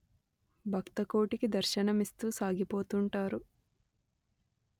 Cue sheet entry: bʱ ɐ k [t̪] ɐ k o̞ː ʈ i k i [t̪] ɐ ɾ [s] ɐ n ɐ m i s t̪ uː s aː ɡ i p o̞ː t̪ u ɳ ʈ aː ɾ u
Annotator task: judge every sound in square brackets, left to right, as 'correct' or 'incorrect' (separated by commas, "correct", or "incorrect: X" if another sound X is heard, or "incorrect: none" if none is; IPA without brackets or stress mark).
correct, incorrect: d̪, incorrect: ʃ